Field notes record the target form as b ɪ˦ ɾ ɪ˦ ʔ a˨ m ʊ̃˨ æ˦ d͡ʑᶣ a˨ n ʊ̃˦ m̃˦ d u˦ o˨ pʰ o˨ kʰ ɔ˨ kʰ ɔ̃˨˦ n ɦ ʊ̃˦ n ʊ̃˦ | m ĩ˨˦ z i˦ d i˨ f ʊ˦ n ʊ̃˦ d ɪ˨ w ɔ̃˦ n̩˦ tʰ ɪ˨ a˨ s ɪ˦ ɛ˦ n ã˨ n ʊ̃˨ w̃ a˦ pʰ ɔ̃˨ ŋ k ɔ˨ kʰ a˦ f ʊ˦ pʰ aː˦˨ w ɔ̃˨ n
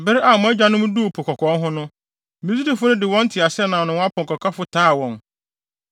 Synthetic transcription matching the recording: b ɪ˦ ɾ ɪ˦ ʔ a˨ m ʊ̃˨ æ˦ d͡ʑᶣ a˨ n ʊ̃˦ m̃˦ d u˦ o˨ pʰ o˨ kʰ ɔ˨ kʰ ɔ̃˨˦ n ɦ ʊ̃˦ n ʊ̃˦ | m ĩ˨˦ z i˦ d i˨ f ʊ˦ n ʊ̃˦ d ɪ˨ w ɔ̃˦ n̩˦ tʰ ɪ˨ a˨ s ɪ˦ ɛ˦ n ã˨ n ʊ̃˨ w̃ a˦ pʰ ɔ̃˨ ŋ k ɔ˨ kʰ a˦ f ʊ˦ tʰ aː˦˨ w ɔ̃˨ n